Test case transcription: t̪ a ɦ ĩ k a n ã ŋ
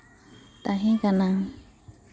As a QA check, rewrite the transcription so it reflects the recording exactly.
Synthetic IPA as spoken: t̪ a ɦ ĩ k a n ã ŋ